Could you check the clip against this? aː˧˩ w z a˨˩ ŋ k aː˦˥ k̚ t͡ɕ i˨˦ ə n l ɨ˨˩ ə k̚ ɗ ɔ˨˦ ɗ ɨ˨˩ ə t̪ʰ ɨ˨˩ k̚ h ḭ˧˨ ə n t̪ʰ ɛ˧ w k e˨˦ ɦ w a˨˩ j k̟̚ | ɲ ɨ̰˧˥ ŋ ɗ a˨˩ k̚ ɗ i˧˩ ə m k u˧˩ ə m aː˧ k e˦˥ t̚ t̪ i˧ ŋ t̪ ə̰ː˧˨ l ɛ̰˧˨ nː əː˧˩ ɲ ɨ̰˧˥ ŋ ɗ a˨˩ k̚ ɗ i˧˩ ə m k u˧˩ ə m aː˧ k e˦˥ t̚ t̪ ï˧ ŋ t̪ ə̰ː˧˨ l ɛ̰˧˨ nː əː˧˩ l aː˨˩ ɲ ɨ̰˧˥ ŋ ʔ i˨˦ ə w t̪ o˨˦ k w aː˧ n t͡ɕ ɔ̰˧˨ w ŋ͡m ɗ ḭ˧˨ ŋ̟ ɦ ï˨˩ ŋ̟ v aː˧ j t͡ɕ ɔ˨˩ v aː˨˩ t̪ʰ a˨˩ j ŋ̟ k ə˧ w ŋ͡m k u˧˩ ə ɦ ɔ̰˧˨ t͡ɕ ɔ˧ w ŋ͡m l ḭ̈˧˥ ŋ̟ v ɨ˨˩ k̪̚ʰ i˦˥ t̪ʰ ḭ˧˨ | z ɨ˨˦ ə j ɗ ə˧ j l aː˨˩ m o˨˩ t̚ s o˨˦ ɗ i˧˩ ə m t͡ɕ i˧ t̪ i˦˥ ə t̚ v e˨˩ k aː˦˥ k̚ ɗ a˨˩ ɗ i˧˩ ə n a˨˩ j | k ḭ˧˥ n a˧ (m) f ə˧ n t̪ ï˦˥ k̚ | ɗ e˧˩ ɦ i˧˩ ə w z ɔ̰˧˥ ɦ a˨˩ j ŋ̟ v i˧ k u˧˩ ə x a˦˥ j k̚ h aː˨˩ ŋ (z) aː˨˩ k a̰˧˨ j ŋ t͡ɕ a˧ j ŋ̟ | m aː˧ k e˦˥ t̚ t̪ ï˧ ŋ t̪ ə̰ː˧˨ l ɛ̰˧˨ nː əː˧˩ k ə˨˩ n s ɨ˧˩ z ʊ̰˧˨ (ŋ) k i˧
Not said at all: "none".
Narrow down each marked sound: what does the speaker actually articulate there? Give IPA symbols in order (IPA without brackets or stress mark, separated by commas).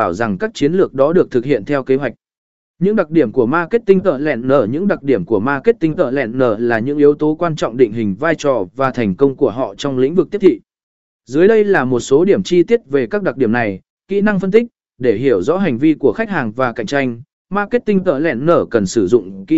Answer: ŋ, v, ŋ͡m